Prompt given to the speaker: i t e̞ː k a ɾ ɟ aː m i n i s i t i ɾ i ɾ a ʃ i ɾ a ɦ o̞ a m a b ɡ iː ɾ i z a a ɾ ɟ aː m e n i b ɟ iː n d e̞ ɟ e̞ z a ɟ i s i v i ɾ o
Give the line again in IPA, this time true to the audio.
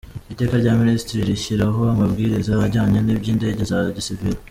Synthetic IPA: i t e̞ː k a ɾ ɟ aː m i n i s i t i ɾ i ɾ i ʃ i ɾ a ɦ o̞ a m a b ɡ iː ɾ i z a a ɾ ɟ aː ɲ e n i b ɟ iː n d e̞ ɟ e̞ z a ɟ i s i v i ɾ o